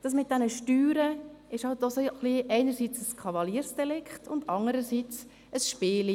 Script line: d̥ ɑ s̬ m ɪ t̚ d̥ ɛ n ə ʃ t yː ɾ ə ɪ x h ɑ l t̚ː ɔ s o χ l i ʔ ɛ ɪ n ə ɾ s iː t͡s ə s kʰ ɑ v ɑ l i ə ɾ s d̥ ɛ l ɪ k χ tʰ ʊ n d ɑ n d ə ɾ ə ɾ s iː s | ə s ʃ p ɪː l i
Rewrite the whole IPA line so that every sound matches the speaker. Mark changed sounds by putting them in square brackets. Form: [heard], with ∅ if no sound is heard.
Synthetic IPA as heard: d̥ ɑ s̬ m ɪ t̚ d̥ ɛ n ə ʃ t yː ɾ ə ɪ [ʃ] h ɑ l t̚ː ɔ s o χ l i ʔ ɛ ɪ n ə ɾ s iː t͡s ə s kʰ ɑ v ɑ l i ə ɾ s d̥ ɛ l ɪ k χ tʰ ʊ n d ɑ n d ə ɾ ə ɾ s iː [t͡s] | ə s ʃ p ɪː l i